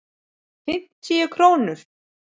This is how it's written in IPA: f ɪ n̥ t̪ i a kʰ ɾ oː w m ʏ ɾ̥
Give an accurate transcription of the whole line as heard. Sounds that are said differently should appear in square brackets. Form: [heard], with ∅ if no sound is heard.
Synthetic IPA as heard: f ɪ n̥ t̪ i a kʰ ɾ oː w [n] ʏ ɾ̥